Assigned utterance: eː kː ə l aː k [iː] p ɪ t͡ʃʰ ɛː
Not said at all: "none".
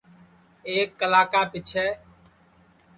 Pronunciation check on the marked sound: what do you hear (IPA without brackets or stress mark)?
aː